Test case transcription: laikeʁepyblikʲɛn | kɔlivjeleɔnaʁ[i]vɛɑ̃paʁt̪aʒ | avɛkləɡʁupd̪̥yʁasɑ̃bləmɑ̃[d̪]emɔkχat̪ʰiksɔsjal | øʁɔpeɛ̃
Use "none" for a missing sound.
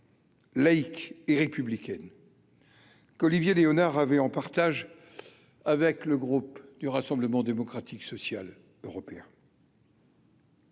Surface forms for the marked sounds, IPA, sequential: a, d̪

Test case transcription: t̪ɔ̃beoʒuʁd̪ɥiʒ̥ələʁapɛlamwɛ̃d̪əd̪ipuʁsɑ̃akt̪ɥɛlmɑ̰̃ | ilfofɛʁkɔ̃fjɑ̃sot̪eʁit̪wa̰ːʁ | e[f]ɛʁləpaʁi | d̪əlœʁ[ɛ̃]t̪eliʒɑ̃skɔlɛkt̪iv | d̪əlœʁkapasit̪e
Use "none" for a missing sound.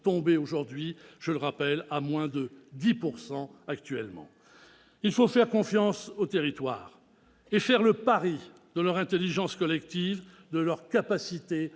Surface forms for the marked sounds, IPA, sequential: f, ɛ̃

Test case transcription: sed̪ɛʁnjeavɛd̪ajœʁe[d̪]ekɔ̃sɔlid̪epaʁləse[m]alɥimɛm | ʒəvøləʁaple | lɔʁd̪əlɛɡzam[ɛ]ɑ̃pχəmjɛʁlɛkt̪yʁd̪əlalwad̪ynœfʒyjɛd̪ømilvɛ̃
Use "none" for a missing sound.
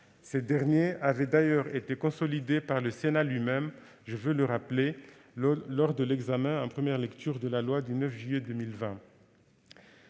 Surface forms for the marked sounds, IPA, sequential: t̪, n, ɛ̃

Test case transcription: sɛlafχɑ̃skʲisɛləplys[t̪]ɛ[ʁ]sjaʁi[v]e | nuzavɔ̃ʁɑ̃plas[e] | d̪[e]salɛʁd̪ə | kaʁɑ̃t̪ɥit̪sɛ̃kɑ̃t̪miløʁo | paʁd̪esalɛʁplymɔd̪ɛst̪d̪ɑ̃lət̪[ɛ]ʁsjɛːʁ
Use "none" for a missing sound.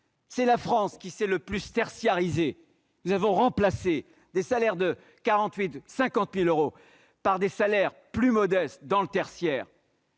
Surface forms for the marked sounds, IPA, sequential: t̪, ʁ, z, e, e, ɛ

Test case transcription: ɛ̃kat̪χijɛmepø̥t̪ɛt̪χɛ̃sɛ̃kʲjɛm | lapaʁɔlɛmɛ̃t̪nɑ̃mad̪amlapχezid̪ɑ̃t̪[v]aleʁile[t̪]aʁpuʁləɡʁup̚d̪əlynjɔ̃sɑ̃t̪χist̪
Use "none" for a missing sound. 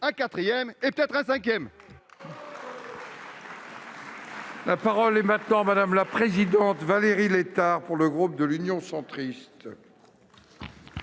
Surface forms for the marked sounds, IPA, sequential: v, t̪

